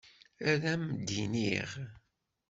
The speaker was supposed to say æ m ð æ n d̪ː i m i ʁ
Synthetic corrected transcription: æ ð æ m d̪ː i n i ʁ

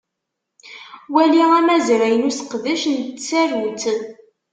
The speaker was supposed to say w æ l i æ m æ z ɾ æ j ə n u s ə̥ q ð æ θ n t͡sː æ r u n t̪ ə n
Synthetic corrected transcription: w æ l i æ m æ z ɾ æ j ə n u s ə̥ q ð æ ʃ n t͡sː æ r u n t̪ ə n

